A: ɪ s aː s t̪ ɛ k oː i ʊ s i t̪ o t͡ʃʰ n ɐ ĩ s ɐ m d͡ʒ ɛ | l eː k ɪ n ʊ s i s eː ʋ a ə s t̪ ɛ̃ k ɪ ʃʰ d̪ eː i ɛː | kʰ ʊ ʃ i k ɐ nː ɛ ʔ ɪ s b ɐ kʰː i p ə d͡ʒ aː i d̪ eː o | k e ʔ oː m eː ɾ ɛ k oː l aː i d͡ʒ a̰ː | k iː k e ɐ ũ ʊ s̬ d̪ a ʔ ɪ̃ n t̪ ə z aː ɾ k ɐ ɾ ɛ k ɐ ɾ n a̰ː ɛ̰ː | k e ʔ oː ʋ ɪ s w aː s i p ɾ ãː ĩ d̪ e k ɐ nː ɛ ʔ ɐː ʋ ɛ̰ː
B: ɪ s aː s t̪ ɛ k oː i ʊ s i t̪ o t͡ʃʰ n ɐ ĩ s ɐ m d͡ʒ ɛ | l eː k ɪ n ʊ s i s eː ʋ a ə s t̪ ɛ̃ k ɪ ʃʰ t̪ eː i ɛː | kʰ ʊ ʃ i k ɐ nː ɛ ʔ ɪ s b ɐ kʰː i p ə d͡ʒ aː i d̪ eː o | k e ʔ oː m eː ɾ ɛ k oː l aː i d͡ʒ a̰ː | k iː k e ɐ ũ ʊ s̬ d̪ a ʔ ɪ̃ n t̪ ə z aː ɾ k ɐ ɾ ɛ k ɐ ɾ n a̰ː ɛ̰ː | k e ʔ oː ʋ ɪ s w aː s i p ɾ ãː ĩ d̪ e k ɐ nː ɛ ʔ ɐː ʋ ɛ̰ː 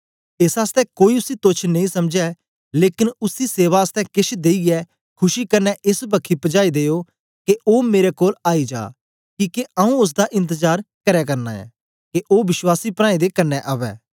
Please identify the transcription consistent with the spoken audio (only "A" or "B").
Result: A